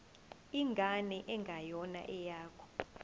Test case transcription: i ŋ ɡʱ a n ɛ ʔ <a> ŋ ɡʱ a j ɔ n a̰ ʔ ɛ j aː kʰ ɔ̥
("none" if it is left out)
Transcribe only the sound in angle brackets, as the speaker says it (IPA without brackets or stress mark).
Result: ɛ